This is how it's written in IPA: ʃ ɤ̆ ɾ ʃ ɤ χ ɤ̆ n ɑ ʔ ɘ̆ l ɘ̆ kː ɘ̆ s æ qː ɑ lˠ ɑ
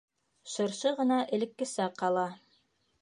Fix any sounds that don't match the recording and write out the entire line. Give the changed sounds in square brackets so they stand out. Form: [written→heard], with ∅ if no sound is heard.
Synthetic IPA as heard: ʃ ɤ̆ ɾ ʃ ɤ [χ→ʁ] ɤ̆ n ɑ ʔ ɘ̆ l ɘ̆ kː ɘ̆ s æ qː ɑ lˠ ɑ